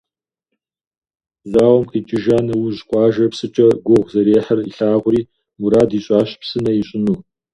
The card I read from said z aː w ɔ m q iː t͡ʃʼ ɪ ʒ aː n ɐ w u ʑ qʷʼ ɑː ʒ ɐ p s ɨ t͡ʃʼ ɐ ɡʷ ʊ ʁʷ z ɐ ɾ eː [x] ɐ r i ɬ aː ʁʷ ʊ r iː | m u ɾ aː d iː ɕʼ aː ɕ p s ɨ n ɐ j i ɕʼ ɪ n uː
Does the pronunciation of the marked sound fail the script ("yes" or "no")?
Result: yes